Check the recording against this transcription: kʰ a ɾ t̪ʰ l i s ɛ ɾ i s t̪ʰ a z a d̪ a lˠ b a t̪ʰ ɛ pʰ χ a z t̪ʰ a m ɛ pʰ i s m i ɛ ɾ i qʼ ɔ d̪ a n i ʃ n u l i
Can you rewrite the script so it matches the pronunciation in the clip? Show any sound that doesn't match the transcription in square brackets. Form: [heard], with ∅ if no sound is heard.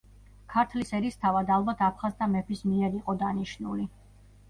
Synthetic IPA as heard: kʰ a ɾ t̪ʰ l i s ɛ ɾ i s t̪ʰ a [v] a d̪ a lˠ b a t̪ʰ [a] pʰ χ a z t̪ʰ a m ɛ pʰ i s m i ɛ ɾ i qʼ ɔ d̪ a n i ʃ n u l i

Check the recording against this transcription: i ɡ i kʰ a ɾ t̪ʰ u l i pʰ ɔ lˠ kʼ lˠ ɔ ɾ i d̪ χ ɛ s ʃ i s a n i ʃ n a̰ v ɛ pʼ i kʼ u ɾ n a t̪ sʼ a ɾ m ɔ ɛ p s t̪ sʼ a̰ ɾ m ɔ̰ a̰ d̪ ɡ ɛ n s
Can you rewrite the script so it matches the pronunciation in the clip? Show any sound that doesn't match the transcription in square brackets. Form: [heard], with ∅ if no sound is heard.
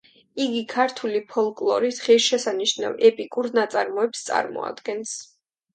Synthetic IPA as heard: i ɡ i kʰ a ɾ t̪ʰ u l i pʰ ɔ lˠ kʼ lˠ ɔ ɾ i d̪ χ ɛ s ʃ [ɛ] s a n i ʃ n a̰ v ɛ pʼ i kʼ u ɾ n a t̪ sʼ a ɾ m ɔ ɛ p s t̪ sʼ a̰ ɾ m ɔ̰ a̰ d̪ ɡ ɛ n s

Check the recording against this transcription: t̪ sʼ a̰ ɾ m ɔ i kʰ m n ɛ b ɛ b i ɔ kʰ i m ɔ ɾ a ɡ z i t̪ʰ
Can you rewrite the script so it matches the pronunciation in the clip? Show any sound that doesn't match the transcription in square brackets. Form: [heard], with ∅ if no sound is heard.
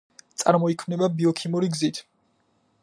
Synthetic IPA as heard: t̪ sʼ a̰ ɾ m ɔ i kʰ m n ɛ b [a] b i ɔ kʰ i m [u] ɾ [i] ɡ z i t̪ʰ

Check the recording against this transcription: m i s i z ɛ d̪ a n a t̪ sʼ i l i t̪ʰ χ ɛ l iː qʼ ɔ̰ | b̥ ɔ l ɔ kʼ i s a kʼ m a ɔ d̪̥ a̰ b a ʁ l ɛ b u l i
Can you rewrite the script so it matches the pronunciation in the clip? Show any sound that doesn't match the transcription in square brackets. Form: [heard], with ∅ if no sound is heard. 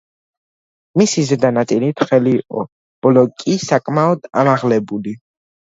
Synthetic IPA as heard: m i s i z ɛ d̪ a n a t̪ sʼ i l i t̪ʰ χ ɛ l iː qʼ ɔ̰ | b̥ ɔ l ɔ kʼ i s a kʼ m a ɔ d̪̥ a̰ [m] a ʁ l ɛ b u l i

